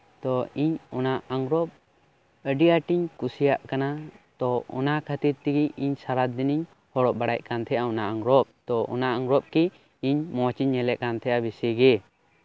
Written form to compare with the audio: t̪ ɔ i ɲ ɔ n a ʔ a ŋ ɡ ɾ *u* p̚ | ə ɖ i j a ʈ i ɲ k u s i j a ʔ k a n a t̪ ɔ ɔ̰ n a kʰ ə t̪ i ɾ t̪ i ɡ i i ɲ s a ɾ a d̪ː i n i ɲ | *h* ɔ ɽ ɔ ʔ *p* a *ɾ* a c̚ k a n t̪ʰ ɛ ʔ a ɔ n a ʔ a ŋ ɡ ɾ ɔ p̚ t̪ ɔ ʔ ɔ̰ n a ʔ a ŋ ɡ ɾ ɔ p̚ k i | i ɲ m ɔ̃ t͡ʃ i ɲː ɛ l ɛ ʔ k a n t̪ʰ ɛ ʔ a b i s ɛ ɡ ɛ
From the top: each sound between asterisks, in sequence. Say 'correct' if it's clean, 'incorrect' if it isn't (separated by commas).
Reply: incorrect, correct, incorrect, incorrect